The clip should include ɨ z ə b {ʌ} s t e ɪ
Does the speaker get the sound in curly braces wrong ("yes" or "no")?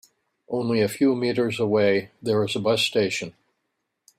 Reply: no